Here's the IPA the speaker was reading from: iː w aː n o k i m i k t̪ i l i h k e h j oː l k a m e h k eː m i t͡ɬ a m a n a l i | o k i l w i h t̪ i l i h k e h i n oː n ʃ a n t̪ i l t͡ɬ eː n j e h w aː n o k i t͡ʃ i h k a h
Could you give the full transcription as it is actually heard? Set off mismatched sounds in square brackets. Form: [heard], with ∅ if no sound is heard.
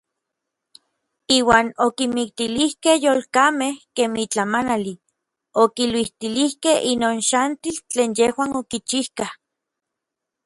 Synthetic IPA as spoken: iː w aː n o k i m i k t̪ i l i h k e h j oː l k a m e h k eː m i t͡ɬ a m a n a l i | o k i l w i h t̪ i l i h k e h i n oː n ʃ a n t̪ i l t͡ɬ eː n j e h w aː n o k i t͡ʃ i h k a h